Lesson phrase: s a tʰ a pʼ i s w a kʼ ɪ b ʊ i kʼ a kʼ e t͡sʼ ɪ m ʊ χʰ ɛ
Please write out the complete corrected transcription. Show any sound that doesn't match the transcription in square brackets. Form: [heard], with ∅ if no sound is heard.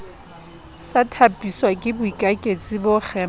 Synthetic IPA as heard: s a tʰ a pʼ i s w a kʼ ɪ b ʊ i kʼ a kʼ e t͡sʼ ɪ [b] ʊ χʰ ɛ